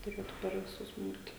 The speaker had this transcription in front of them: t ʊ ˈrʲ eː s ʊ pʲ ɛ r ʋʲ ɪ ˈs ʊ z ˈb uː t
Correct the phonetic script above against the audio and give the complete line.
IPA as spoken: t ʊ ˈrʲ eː t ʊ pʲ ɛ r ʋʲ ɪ ˈs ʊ s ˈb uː t